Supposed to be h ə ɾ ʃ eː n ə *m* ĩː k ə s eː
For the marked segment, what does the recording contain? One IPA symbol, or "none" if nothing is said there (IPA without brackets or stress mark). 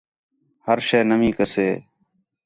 m